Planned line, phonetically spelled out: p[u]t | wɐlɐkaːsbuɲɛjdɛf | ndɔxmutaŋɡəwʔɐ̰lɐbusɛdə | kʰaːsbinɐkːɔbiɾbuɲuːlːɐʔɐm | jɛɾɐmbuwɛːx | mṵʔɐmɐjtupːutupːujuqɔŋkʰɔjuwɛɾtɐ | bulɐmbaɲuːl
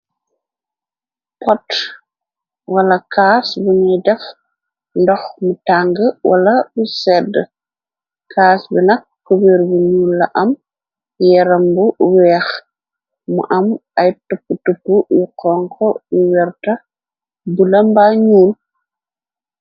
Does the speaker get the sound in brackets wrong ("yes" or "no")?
yes